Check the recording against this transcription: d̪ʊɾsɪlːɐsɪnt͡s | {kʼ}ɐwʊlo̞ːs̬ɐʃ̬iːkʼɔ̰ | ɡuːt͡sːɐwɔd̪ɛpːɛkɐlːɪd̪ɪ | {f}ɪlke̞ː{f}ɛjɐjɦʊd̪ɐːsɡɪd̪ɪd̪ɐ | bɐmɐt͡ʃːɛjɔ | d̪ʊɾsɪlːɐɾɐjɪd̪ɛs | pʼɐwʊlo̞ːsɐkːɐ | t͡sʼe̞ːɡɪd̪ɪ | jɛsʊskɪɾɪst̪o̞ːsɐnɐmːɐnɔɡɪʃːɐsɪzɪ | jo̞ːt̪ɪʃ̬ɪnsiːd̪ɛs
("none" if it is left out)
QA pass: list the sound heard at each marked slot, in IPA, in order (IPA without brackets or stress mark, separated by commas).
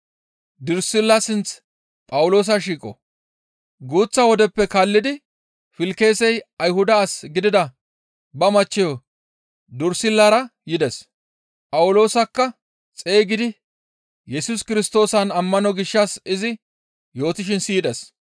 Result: pʼ, f, s